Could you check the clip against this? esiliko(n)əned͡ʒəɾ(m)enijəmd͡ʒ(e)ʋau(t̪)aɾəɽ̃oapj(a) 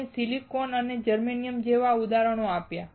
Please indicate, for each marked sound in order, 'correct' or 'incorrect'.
correct, correct, correct, incorrect, correct

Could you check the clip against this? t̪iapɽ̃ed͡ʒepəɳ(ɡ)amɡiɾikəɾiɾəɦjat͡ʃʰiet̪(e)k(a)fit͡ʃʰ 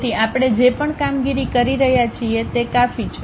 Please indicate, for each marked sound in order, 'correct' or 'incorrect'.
incorrect, correct, correct

